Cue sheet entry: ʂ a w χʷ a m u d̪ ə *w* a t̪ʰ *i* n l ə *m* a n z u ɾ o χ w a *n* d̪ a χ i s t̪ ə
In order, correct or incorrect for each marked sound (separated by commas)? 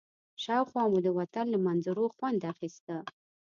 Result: correct, incorrect, correct, correct